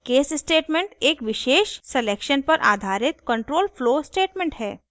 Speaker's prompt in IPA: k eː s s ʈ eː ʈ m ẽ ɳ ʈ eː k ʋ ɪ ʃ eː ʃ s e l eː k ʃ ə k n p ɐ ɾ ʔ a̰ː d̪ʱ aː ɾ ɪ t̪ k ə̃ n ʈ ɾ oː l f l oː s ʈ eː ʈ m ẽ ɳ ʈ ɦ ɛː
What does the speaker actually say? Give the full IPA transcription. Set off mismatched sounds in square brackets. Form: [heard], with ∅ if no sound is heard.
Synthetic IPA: k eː s s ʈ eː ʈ m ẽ ɳ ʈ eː k ʋ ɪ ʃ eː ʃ s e l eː k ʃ ə [∅] n p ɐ ɾ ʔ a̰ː d̪ʱ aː ɾ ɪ t̪ k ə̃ [ɳ] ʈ ɾ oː l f l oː s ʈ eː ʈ m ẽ ɳ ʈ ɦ ɛː